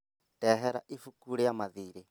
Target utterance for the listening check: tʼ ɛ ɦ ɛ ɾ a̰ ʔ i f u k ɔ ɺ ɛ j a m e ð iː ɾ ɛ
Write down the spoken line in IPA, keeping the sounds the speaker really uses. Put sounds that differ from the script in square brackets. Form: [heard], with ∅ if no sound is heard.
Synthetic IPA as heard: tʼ ɛ ɦ ɛ ɾ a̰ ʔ i f u k [u] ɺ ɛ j a m [a] ð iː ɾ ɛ